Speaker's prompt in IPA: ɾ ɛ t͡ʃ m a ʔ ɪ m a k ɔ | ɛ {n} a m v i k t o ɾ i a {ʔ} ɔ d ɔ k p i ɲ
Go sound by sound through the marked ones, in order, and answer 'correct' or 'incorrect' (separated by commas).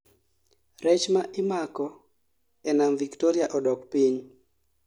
correct, correct